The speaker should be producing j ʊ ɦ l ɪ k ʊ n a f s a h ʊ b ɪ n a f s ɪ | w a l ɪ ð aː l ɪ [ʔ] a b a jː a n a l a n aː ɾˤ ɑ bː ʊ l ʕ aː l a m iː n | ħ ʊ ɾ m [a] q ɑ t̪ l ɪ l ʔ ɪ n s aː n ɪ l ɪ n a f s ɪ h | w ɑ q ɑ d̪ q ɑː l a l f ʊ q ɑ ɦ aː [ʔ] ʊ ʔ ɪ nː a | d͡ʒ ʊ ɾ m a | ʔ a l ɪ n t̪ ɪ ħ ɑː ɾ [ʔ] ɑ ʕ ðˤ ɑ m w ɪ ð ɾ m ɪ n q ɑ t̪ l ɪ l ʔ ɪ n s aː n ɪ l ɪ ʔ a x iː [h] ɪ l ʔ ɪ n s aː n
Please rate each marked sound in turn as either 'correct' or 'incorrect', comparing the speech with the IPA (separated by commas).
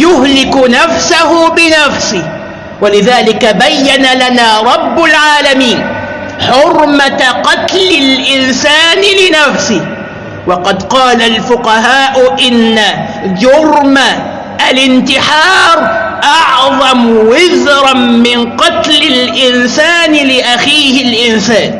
incorrect, correct, correct, correct, correct